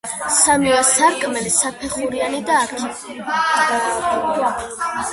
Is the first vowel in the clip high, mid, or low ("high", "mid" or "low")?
low